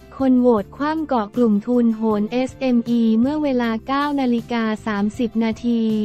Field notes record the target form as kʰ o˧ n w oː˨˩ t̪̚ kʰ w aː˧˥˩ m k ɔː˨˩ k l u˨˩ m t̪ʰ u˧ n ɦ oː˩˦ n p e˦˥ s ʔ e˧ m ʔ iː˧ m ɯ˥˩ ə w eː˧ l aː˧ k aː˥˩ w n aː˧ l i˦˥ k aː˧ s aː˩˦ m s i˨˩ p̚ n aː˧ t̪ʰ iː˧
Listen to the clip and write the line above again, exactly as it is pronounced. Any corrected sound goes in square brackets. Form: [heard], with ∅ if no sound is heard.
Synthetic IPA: kʰ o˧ n w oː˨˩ t̪̚ kʰ w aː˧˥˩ m k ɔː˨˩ k l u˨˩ m t̪ʰ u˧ n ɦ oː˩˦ n [ʔ] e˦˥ s ʔ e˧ m ʔ iː˧ m ɯ˥˩ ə w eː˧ l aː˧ k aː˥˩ w n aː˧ l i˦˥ k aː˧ s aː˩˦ m s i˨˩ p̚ n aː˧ t̪ʰ iː˧